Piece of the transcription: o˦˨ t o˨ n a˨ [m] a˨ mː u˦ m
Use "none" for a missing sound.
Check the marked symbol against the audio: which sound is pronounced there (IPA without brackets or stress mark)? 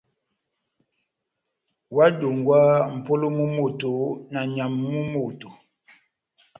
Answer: ɲ